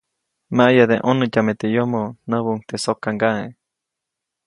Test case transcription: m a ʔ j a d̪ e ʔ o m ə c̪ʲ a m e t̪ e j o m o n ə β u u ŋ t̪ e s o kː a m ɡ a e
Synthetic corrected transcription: m a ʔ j a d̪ e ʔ o n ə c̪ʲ a m e t̪ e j o m o n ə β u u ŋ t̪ e s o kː a ŋ ɡ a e